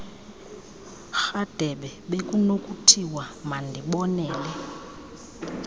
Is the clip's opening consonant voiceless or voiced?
voiceless